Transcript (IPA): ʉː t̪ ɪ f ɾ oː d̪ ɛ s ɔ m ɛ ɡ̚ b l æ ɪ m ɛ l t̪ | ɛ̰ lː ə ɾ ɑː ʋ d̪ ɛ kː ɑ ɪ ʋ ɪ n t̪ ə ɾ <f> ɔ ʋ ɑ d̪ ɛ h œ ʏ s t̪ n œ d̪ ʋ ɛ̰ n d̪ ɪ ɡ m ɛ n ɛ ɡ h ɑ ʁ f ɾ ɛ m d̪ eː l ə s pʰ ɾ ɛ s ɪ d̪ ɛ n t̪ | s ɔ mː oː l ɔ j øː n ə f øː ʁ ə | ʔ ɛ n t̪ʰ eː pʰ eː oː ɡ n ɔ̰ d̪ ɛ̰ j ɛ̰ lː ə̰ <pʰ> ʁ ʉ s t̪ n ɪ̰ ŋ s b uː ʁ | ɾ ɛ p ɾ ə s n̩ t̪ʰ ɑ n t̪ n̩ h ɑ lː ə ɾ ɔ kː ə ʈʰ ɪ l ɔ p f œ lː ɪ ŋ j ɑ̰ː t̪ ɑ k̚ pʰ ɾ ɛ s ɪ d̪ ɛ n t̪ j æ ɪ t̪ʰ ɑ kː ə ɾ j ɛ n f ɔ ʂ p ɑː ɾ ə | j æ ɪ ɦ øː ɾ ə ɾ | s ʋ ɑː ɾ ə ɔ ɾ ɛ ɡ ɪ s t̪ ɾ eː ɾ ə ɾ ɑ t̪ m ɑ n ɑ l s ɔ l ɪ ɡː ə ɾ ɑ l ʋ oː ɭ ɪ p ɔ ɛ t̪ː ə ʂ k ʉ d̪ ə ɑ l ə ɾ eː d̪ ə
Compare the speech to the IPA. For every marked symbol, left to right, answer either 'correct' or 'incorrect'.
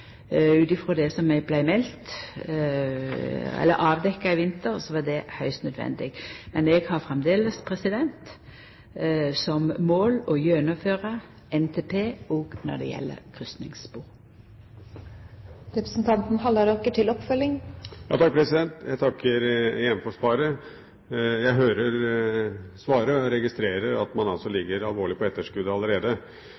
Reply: incorrect: s, incorrect: kʰ

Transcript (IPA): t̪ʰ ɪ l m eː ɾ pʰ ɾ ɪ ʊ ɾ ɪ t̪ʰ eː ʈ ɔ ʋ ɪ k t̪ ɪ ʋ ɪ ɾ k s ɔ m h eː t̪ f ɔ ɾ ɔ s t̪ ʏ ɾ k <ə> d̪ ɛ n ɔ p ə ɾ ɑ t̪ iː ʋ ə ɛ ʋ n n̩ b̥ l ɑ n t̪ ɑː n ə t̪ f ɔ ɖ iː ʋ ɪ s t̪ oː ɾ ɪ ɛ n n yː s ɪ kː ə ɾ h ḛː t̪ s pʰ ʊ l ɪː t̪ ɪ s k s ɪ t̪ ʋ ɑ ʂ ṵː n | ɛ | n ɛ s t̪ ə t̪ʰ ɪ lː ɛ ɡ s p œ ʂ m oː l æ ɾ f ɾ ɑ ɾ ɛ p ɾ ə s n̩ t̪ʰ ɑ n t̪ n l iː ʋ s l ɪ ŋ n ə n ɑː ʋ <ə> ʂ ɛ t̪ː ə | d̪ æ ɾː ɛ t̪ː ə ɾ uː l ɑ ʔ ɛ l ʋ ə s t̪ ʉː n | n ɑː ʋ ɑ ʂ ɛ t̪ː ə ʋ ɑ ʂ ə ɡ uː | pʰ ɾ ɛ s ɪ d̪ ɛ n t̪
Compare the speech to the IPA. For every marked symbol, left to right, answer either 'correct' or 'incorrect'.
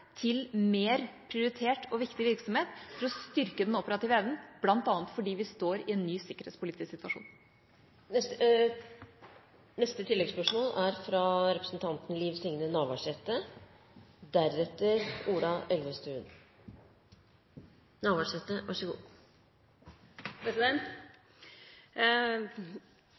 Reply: correct, incorrect: ɑ

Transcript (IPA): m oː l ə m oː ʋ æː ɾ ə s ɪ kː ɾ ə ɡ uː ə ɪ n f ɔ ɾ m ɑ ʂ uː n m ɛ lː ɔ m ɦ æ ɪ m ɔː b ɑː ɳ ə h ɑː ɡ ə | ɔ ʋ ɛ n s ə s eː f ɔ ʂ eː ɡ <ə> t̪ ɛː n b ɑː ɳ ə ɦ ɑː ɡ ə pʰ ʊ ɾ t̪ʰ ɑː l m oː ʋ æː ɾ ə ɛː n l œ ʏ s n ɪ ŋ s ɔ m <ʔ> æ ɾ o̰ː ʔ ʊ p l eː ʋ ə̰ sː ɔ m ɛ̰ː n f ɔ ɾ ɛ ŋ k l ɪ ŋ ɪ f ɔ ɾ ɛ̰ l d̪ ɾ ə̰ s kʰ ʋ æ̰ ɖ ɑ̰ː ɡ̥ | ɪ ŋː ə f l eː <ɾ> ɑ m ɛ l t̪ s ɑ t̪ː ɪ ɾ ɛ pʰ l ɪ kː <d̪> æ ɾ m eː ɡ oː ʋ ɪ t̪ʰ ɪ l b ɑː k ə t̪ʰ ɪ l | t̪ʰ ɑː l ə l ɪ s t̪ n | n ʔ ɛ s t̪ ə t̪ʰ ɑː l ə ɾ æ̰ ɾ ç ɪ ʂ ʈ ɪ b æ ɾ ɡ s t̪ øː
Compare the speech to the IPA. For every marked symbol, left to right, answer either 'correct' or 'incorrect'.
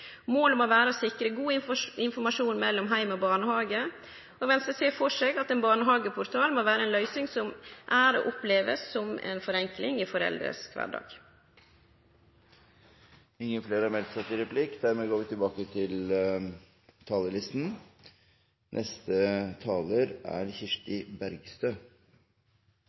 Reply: incorrect: ɑ, correct, correct, correct

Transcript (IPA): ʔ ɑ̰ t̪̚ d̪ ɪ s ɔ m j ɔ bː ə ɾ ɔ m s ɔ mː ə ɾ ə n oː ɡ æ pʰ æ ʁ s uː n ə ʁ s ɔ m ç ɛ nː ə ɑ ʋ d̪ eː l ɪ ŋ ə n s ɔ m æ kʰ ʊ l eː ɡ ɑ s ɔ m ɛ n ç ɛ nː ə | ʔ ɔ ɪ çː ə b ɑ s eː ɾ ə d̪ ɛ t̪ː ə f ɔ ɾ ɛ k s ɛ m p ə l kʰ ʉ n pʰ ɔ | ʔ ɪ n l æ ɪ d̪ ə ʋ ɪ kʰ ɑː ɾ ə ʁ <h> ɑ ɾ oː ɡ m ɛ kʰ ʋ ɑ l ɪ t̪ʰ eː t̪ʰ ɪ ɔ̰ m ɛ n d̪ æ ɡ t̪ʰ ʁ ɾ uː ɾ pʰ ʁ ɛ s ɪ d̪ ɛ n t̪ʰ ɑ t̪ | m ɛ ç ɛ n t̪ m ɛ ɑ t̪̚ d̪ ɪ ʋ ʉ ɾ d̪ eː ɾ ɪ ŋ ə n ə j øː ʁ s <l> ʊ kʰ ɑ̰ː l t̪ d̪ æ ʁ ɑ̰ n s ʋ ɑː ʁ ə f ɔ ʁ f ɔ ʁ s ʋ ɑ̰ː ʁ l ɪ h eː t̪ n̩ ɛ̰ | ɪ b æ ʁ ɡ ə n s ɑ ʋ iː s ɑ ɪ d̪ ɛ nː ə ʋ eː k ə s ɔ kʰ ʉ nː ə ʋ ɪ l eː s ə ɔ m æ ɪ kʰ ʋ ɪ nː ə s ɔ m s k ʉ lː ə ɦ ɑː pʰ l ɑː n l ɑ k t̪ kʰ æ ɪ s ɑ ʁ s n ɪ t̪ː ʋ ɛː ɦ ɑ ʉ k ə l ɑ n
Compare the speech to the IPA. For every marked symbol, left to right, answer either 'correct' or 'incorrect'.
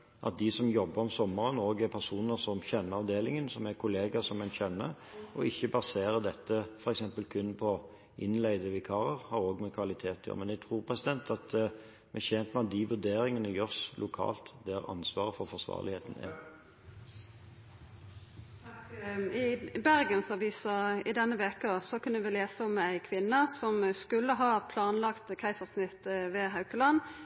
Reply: correct, correct

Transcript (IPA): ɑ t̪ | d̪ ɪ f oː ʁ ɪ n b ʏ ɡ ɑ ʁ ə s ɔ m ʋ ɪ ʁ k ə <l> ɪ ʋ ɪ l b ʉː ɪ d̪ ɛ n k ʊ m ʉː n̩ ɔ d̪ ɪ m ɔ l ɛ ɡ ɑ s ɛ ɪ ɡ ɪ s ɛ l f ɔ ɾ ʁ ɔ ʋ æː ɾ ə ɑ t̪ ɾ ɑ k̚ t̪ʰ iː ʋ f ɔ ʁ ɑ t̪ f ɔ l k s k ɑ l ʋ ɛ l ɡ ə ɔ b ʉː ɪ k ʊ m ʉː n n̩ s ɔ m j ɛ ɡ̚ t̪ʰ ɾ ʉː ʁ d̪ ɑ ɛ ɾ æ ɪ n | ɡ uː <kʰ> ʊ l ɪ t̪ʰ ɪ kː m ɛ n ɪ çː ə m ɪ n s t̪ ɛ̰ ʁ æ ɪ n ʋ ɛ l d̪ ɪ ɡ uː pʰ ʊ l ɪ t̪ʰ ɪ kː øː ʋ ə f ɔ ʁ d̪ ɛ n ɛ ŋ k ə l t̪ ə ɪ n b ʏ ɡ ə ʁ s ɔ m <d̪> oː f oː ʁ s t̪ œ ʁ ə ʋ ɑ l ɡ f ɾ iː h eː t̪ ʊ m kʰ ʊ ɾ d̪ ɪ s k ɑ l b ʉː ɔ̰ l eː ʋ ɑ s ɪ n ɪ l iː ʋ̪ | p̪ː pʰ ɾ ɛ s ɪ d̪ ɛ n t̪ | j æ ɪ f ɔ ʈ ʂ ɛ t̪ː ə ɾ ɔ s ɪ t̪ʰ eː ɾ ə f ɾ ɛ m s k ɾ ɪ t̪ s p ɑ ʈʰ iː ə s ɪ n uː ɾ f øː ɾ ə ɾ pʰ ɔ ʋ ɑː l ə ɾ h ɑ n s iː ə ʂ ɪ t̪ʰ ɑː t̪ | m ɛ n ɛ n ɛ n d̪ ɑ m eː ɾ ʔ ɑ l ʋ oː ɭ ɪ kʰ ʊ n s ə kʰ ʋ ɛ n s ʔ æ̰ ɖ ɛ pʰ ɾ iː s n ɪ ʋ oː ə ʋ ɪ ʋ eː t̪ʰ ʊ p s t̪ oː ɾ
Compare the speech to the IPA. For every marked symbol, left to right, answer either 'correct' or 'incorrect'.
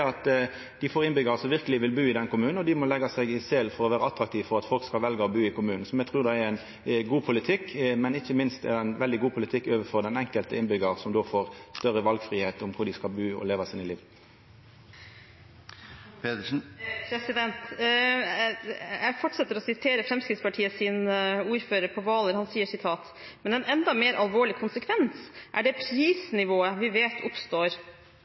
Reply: correct, incorrect: pʰ, correct

